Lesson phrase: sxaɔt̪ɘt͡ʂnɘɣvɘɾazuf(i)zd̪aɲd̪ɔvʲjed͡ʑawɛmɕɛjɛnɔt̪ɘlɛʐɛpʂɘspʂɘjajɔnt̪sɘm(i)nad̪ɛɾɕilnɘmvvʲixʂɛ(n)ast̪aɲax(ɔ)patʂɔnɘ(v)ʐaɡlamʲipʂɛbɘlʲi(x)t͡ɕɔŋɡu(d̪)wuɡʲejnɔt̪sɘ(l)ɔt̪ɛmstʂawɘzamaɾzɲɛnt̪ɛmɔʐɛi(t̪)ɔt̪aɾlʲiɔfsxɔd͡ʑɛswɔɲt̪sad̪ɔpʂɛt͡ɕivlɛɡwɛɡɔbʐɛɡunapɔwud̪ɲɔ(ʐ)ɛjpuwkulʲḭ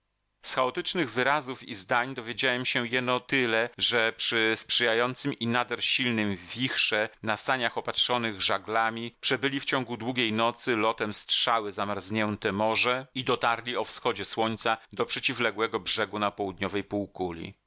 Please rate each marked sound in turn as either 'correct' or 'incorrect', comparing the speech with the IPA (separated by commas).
correct, correct, correct, correct, incorrect, incorrect, correct, correct, incorrect, incorrect